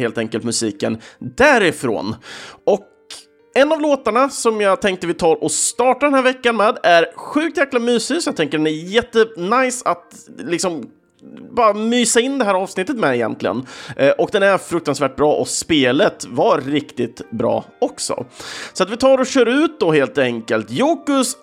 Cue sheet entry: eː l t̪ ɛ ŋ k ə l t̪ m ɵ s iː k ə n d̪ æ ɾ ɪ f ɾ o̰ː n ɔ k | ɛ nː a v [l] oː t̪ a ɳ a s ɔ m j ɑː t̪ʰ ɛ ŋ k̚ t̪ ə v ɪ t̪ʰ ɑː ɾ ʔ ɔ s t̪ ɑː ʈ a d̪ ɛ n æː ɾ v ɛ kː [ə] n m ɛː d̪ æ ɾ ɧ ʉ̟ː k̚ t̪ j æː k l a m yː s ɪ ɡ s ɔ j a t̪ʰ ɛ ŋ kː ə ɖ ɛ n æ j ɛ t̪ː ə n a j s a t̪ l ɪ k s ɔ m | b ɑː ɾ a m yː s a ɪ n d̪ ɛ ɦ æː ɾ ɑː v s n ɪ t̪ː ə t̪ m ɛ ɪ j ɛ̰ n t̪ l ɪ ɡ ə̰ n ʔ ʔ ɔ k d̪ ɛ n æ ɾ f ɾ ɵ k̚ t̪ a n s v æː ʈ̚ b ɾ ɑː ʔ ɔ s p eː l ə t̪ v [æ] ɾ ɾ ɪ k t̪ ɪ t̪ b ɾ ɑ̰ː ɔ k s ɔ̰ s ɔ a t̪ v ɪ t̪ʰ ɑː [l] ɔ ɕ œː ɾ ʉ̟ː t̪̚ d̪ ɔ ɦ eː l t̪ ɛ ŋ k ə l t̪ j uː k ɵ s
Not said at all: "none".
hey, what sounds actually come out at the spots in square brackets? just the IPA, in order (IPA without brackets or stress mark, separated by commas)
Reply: l, a, a, ɾ